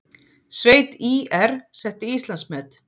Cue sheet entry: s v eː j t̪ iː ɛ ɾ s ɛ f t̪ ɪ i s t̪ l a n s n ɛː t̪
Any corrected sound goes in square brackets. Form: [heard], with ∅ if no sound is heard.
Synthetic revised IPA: s v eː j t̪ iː ɛ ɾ s ɛ [h] t̪ ɪ i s t̪ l a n s [m] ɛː t̪